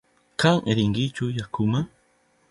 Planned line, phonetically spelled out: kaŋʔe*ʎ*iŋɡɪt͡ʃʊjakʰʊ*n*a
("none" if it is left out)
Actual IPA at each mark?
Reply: ɾ, m

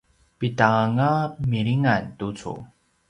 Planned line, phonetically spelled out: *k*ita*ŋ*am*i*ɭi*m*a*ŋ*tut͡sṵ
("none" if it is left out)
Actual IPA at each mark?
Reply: p, ŋ, i, ŋ, n

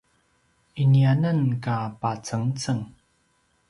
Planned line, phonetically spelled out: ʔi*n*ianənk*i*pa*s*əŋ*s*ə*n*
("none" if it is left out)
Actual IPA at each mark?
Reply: n, a, t͡s, t͡s, ŋ

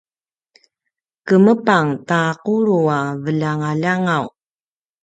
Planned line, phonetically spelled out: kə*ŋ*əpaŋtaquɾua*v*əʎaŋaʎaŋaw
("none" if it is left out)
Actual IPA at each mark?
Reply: m, v

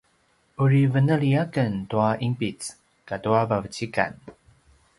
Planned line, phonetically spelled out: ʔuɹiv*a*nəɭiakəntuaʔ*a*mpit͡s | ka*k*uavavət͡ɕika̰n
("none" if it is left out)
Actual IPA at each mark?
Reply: ə, i, t

